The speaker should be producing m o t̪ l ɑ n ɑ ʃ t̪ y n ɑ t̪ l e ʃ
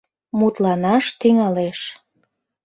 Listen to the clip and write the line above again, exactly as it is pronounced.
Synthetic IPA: m u t̪ l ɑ n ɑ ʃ t̪ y ŋ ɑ l e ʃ